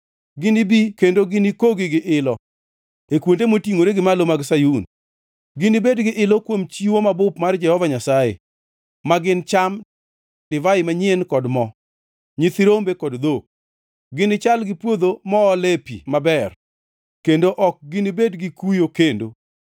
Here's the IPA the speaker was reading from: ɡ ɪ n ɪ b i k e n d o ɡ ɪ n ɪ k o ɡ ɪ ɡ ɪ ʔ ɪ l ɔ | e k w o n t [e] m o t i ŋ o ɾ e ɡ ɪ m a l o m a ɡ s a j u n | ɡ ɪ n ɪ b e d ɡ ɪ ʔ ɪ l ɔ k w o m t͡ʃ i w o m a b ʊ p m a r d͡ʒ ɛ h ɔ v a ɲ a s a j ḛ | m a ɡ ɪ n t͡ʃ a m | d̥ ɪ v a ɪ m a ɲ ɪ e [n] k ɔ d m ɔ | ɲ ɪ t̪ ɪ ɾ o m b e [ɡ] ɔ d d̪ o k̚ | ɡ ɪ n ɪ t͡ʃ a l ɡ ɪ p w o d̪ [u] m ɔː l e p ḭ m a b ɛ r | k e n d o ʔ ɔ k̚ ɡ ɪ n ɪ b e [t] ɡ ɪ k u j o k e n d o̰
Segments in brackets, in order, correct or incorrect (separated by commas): correct, correct, incorrect, incorrect, incorrect